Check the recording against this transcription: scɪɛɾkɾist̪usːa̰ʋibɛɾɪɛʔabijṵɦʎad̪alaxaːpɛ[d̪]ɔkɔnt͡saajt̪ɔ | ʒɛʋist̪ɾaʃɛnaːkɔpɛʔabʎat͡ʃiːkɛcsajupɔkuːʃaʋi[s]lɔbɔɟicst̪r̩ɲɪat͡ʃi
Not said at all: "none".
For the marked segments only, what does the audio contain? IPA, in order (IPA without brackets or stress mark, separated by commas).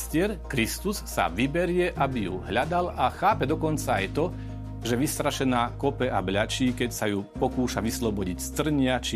d̪, s